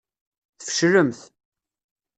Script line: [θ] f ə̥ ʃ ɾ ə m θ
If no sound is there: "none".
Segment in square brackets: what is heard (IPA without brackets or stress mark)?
θ